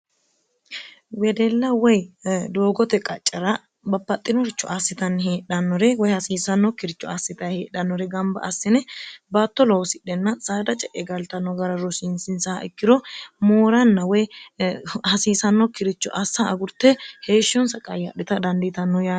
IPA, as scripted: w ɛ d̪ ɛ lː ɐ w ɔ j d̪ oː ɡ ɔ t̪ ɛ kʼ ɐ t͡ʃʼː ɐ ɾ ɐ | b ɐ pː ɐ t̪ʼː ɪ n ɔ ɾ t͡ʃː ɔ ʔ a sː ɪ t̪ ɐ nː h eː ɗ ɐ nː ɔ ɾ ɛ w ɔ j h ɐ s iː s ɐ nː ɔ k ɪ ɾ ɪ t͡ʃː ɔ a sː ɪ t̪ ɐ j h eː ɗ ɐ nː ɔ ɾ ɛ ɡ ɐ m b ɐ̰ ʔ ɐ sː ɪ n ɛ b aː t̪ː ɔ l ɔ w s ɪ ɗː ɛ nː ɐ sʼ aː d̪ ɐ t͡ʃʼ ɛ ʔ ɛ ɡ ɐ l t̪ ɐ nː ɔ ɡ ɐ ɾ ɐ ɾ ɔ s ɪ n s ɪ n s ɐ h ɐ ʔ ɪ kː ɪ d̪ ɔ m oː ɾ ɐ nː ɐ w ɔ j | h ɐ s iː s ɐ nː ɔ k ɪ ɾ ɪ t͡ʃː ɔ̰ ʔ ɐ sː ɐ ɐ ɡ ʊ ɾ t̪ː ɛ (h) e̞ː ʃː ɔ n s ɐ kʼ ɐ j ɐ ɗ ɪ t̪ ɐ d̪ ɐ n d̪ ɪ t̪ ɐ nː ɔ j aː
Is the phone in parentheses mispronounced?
no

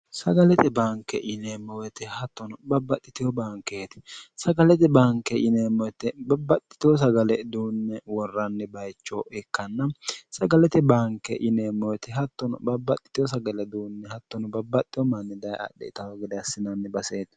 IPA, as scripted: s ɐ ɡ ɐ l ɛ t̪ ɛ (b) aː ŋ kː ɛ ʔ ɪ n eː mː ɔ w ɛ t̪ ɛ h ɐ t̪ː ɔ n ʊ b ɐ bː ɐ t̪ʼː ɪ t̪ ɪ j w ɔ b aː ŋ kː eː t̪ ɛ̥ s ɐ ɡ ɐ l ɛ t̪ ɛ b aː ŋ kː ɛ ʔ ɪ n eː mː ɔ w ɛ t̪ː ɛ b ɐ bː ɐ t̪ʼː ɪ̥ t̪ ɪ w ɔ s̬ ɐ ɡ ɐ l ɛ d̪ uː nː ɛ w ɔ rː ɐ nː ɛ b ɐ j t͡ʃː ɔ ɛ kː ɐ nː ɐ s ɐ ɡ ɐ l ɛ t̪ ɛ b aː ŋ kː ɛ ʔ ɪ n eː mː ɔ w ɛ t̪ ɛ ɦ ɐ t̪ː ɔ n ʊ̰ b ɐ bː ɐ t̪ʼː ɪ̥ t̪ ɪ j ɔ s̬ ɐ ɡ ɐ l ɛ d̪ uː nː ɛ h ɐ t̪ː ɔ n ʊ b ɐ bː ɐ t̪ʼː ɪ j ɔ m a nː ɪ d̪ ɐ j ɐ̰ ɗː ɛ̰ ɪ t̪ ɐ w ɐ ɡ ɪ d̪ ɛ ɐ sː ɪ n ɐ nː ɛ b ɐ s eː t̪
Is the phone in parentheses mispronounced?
no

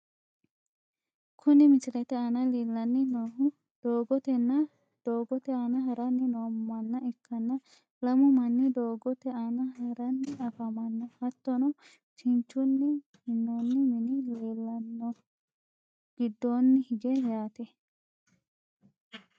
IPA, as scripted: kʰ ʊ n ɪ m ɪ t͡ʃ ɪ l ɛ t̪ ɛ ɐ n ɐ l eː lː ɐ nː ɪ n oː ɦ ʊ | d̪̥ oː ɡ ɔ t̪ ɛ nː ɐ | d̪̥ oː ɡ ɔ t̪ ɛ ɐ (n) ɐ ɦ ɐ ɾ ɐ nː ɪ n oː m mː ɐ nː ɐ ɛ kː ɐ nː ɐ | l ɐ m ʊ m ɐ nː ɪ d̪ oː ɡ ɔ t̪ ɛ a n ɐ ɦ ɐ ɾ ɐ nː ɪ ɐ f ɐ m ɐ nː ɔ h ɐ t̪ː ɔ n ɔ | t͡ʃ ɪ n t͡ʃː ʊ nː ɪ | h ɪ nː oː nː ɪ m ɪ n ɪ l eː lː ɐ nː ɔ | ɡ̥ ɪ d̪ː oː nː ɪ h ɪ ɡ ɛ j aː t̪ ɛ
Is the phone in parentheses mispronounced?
no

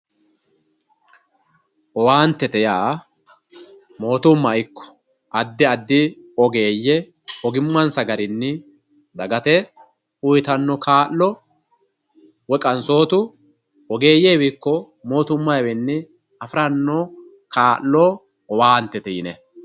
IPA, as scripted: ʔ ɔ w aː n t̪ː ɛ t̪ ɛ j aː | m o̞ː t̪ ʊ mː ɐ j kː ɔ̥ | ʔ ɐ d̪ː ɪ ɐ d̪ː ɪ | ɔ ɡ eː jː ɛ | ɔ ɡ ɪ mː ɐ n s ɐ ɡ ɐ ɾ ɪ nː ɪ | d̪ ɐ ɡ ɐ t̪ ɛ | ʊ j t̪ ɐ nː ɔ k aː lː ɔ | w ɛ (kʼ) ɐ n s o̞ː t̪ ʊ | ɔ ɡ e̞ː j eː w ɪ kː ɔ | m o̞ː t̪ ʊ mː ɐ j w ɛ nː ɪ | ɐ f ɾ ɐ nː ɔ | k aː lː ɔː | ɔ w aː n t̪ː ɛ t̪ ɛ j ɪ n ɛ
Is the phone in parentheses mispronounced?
no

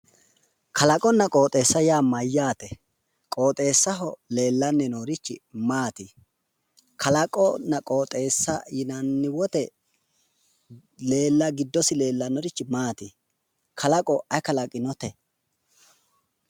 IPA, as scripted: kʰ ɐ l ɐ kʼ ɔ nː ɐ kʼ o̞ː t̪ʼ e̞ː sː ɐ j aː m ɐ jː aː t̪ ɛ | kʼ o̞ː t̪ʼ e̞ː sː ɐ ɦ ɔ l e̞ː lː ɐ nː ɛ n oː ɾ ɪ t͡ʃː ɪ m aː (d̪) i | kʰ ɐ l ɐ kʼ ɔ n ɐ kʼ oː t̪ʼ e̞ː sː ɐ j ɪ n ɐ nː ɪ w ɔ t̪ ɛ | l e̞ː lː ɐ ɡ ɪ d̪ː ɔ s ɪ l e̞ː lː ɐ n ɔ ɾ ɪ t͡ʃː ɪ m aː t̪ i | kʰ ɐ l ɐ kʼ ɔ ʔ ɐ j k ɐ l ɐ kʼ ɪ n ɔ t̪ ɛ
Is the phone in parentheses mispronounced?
yes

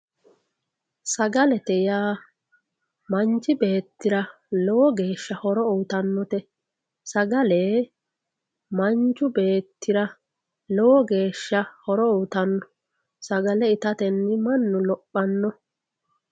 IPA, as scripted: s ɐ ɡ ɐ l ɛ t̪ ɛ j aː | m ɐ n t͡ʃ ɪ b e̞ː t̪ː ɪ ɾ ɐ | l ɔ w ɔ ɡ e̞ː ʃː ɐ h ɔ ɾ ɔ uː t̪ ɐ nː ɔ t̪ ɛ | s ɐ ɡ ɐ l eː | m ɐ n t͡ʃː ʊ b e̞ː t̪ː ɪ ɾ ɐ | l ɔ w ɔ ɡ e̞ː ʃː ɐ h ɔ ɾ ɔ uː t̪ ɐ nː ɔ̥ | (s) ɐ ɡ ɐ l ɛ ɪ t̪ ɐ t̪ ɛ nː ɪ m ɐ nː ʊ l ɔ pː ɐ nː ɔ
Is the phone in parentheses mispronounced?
no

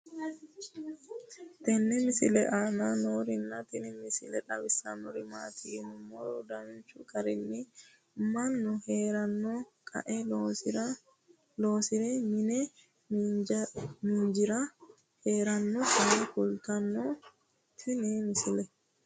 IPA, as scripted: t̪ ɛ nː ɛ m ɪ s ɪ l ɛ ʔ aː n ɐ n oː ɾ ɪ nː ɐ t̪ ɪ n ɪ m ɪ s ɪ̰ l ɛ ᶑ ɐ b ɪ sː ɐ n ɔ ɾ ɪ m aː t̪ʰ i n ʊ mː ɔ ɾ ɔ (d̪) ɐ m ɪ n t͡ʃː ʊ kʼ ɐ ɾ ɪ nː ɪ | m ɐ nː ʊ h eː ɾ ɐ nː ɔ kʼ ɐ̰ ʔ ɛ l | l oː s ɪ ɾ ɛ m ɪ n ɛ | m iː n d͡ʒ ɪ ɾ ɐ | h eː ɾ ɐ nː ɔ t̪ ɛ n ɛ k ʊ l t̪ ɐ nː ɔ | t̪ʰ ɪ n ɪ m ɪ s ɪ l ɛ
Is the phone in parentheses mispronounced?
no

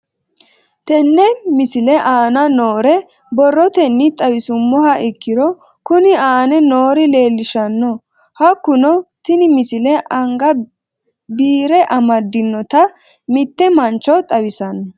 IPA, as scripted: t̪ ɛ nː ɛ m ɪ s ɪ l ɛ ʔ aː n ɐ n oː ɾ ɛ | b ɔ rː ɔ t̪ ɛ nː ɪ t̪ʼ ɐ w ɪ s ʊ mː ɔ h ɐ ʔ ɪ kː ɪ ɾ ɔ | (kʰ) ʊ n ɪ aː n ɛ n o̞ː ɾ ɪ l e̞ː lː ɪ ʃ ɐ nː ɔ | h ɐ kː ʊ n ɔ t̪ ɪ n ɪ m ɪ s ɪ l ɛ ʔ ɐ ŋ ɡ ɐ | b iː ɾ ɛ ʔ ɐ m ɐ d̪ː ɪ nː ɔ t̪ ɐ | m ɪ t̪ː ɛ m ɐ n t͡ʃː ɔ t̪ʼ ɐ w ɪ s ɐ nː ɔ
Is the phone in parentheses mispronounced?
yes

